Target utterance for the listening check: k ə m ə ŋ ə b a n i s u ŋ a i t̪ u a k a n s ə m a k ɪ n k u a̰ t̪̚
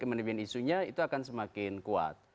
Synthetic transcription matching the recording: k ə m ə n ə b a n i s u ɲ a i t̪ u a k a n s ə m a k ɪ n k u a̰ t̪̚